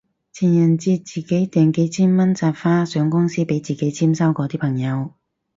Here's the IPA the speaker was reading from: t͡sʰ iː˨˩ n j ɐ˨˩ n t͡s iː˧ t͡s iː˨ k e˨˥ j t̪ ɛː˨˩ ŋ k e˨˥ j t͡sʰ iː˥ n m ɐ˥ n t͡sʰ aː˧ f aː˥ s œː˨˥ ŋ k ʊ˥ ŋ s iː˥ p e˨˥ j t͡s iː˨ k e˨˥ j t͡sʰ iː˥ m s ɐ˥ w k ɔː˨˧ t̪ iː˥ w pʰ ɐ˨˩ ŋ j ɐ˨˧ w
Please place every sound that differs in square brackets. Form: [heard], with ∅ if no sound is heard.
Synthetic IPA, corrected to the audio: t͡sʰ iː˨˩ n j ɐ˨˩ n t͡s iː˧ t͡s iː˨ k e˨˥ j t̪ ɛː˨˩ ŋ k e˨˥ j t͡sʰ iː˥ n m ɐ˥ n [t͡s] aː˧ f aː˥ s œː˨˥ ŋ k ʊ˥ ŋ s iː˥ p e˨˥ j t͡s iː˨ k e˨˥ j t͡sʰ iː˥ m s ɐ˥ w k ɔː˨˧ t̪ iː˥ [∅] pʰ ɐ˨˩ ŋ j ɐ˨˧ w

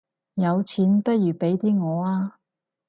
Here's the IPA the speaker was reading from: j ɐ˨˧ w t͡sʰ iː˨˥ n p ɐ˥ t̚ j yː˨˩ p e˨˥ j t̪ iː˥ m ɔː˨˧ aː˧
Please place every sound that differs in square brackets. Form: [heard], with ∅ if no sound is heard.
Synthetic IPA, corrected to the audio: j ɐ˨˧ w t͡sʰ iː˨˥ n p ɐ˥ t̚ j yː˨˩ p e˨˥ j t̪ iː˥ [ŋ] ɔː˨˧ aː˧

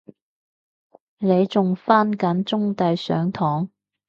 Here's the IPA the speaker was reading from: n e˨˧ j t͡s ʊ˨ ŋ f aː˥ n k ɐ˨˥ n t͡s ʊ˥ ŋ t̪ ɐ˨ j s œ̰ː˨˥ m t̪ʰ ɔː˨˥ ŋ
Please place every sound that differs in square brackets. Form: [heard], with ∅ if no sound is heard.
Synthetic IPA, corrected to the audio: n e˨˧ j t͡s ʊ˨ ŋ f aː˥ n k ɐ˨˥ n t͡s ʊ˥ ŋ t̪ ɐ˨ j s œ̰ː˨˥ [ŋ] t̪ʰ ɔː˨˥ ŋ

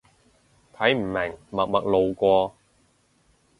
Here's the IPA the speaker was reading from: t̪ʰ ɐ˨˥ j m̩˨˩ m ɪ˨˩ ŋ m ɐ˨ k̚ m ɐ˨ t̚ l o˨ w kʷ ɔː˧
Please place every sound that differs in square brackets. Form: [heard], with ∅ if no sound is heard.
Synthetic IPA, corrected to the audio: t̪ʰ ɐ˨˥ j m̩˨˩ m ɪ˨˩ ŋ m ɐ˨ k̚ m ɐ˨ [k̚] l o˨ w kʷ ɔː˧

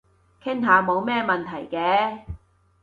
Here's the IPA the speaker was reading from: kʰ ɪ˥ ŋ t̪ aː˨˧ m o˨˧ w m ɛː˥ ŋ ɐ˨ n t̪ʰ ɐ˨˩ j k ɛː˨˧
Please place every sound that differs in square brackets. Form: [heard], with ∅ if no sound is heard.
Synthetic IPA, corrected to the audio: kʰ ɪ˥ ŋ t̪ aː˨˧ m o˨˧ w m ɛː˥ [m] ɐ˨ n t̪ʰ ɐ˨˩ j k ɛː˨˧

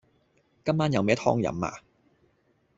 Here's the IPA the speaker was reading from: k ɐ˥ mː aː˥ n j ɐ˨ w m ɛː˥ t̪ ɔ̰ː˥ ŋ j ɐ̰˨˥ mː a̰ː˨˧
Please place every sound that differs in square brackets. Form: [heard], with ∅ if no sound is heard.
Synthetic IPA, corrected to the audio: k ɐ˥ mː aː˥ n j ɐ˨ w m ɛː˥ [t̪ʰ] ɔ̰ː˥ ŋ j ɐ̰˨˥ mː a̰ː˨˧

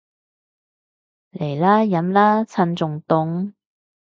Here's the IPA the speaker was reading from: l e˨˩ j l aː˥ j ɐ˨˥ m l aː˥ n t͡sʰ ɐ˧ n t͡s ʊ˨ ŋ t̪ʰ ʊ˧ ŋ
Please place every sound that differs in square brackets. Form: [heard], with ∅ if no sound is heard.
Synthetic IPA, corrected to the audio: l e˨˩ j l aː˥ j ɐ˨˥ m l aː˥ [∅] t͡sʰ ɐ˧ n t͡s ʊ˨ ŋ [t̪] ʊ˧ ŋ

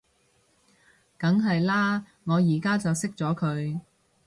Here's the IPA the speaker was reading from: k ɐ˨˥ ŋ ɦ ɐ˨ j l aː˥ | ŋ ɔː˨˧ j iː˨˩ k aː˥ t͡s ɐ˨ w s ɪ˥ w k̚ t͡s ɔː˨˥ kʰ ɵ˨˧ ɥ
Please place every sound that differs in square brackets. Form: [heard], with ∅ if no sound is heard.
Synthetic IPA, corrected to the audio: k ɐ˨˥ ŋ ɦ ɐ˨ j l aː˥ | ŋ ɔː˨˧ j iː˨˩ k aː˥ t͡s ɐ˨ w s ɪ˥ [∅] k̚ t͡s ɔː˨˥ kʰ ɵ˨˧ ɥ

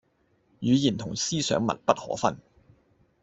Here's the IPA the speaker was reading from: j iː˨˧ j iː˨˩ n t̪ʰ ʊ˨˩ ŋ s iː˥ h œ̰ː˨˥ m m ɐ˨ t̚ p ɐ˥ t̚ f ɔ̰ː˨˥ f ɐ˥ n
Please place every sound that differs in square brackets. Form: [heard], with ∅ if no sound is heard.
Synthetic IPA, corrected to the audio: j [yː˨˧] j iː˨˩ n t̪ʰ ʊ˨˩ ŋ s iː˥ [s] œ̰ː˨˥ [ŋ] m ɐ˨ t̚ p ɐ˥ t̚ [h] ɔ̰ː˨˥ f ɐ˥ n

